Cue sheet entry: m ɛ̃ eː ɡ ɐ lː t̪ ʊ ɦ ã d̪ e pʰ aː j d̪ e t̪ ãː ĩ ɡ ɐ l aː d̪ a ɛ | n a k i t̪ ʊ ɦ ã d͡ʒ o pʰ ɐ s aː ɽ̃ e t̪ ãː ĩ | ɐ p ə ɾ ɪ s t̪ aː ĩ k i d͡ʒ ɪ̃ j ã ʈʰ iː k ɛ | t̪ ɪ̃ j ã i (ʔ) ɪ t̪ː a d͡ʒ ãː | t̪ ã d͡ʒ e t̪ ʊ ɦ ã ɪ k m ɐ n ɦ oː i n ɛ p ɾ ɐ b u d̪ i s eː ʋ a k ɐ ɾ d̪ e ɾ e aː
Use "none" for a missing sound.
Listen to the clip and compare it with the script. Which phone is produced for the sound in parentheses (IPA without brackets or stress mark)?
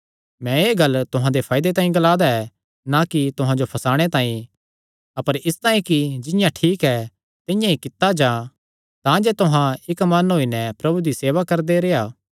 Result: k